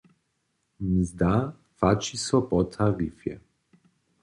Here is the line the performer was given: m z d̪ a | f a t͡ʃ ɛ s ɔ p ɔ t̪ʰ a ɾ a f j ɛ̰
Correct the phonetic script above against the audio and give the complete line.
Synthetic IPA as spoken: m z d̪ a | f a t͡ʃ i s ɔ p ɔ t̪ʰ a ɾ i f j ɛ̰